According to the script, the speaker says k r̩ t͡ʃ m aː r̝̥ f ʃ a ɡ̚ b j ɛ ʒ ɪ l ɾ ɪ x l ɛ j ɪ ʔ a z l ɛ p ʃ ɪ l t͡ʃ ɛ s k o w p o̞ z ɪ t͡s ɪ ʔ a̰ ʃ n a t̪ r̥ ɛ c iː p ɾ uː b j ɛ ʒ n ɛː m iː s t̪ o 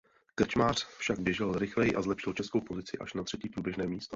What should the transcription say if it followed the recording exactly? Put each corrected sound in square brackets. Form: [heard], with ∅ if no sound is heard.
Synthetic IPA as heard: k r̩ t͡ʃ m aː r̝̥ f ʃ a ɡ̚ b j ɛ ʒ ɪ l ɾ ɪ x l ɛ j ɪ ʔ a z l ɛ p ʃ ɪ l t͡ʃ ɛ s k o w p o̞ z ɪ t͡s ɪ ʔ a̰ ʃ n a t̪ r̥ ɛ c iː p ɾ uː b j ɛ ʒ n ɛː m iː s t̪ o

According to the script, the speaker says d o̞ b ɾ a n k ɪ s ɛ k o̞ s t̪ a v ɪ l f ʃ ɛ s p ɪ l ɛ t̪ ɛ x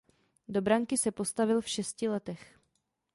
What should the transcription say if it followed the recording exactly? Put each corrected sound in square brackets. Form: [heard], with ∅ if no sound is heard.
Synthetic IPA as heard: d o̞ b ɾ a [ŋ] k ɪ s ɛ [p] o̞ s t̪ a v ɪ l f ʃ ɛ s [c] ɪ l ɛ t̪ ɛ x

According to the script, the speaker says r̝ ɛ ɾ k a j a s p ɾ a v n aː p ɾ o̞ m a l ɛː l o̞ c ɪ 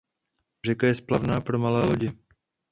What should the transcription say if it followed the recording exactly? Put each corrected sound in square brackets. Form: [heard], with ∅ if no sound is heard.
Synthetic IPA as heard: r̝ ɛ [∅] k a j [ɛ] s p [l] a v n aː p ɾ o̞ m a l ɛː l o̞ [ɟ] ɪ

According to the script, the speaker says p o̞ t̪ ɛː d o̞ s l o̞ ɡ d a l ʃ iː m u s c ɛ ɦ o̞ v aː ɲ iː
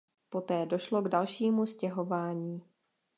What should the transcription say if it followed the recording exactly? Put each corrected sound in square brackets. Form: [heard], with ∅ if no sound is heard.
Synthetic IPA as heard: p o̞ t̪ ɛː d o̞ [ʃ] l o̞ ɡ d a l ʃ iː m u s c ɛ ɦ o̞ v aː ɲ iː

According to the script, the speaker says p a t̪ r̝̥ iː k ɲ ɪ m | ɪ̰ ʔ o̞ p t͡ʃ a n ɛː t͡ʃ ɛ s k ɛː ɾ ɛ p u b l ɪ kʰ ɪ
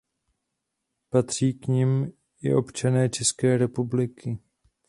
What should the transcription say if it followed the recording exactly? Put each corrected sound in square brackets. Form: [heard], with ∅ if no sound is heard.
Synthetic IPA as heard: p a t̪ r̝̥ iː k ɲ ɪ m | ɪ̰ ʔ o̞ p t͡ʃ a n ɛː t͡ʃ ɛ s k ɛː ɾ ɛ p u b l ɪ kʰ ɪ

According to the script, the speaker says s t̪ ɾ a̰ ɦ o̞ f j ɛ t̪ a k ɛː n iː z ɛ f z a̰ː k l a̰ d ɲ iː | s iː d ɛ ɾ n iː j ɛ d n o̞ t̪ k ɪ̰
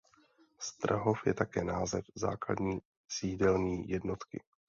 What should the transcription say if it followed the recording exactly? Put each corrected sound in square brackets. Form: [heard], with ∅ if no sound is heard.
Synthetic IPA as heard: s t̪ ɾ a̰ ɦ o̞ f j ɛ t̪ a k ɛː n [aː] z ɛ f z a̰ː k l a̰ d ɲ iː | s iː d ɛ [l] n iː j ɛ d n o̞ t̪ k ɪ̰

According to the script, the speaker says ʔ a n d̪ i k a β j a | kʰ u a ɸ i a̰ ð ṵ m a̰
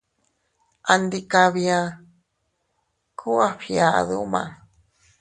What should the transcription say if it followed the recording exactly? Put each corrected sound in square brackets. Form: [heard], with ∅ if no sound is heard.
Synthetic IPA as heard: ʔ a n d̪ i k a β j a | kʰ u a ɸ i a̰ ð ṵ m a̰

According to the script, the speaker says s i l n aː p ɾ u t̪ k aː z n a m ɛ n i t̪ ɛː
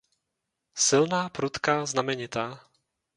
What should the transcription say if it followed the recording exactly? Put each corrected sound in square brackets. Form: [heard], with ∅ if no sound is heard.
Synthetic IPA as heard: s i l n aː p ɾ u t̪ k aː z n a m ɛ [ɲ] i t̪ [aː]

